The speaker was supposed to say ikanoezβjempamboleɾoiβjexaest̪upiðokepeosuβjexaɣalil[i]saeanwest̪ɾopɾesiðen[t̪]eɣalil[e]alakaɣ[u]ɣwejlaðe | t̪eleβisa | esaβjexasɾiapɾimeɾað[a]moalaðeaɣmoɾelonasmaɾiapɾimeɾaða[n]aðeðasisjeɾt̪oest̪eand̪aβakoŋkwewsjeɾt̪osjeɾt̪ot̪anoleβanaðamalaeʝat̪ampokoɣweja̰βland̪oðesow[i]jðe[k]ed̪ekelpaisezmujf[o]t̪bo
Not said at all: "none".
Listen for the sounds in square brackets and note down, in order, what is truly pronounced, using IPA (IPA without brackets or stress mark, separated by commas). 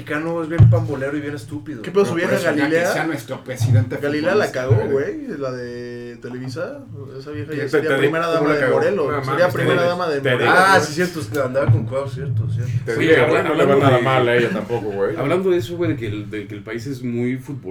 e, t̪, e, o, a, m, e, k, u